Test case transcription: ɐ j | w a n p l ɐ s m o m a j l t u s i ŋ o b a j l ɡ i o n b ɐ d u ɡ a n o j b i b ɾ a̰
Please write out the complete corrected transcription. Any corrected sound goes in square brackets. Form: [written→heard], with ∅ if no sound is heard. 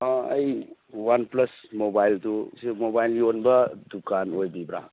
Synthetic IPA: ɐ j | w a n p l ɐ s m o [m→b] a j l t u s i [ŋ→m] o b a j l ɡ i o n b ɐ d u [ɡ→k] a n o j b i b ɾ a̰